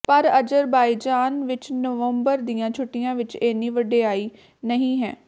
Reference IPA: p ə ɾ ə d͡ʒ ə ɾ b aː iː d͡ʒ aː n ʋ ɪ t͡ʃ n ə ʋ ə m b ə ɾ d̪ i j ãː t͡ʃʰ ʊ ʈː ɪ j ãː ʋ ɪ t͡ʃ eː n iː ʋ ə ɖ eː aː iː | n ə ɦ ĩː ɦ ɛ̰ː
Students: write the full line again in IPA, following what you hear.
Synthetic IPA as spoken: p ə ɾ ə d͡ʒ ə ɾ b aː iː d͡ʒ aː n ʋ ɪ t͡ʃ n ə ʋ ə m b ə ɾ d̪ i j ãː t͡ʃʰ ʊ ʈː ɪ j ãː ʋ ɪ t͡ʃ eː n iː ʋ ə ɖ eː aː iː | n ə ɦ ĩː ɦ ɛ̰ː